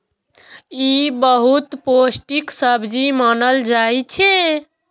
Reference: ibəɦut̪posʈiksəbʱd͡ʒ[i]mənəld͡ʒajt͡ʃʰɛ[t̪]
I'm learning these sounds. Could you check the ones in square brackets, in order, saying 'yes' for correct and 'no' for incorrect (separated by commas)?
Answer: yes, no